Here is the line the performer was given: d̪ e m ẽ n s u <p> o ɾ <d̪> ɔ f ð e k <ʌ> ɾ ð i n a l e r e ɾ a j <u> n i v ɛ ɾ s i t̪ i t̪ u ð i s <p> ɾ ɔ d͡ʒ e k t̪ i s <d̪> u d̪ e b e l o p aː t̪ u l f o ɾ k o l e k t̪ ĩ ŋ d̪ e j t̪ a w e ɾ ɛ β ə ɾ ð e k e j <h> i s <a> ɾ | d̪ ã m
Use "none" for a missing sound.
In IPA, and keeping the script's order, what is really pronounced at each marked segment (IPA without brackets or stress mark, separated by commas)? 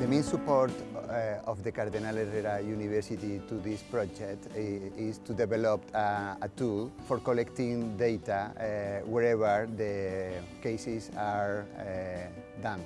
p, t̪, a, u, p, t̪, s, a